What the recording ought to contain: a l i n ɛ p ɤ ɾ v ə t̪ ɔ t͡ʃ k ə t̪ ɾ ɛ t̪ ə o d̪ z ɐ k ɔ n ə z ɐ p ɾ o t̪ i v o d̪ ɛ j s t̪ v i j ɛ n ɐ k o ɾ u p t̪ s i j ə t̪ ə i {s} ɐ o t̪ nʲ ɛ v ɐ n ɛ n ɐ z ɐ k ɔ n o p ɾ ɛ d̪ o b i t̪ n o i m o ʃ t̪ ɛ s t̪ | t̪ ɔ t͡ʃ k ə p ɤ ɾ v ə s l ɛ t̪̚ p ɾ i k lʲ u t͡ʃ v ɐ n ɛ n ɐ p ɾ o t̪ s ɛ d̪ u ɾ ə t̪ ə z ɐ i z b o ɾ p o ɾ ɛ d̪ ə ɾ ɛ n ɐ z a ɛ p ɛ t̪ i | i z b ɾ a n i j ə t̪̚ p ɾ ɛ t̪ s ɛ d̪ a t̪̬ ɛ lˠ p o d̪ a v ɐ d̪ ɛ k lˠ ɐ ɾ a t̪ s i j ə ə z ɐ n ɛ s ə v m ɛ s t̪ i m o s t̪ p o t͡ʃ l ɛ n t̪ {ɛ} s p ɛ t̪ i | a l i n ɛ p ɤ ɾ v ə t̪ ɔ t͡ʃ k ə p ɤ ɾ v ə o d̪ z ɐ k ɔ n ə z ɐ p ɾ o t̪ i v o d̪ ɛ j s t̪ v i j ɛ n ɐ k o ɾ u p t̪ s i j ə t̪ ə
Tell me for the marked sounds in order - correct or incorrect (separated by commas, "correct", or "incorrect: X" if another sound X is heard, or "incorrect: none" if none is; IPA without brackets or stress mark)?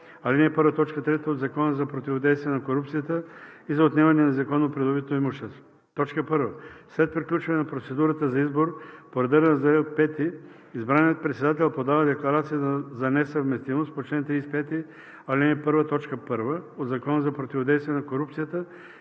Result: incorrect: z, incorrect: i